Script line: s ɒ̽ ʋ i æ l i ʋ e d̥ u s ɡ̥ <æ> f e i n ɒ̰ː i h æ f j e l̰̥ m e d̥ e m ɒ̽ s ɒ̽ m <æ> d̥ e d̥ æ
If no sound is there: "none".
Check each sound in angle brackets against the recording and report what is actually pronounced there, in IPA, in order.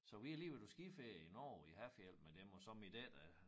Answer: i, i

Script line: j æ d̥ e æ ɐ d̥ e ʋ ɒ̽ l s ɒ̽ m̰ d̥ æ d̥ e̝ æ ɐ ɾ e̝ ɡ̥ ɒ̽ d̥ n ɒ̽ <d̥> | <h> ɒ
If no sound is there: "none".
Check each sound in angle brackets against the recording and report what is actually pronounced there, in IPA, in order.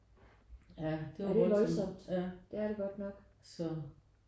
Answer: ɡ̥, s

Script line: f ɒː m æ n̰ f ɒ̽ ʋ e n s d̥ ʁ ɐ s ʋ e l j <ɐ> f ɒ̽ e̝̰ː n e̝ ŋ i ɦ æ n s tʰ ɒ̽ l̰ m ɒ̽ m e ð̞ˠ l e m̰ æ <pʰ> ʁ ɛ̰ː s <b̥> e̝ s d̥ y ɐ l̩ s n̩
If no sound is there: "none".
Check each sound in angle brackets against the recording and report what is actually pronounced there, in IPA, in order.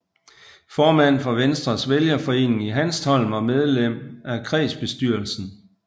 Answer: ɐ, kʰ, b̥

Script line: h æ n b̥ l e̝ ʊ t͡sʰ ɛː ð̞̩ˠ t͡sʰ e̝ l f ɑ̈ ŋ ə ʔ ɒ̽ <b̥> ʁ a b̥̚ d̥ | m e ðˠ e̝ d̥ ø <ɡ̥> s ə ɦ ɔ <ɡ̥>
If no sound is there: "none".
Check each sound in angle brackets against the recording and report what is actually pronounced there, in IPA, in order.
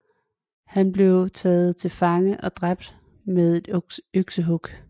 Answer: d̥, ɡ̥, ɡ̥

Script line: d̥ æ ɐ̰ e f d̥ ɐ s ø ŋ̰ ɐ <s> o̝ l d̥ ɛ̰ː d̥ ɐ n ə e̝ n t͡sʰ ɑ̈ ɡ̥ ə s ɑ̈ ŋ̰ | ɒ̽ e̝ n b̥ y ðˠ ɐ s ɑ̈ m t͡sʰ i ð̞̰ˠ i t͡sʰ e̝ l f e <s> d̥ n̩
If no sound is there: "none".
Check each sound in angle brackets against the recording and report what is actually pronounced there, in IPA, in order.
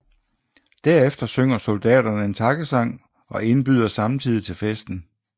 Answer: s, s

